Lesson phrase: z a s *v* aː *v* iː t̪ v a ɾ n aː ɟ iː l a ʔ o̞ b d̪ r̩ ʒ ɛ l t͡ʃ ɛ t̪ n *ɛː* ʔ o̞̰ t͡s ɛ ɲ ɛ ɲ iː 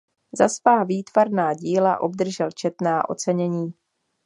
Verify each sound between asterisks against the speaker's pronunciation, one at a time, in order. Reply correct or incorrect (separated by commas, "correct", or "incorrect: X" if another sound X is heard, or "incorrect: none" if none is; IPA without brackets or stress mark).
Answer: correct, correct, incorrect: aː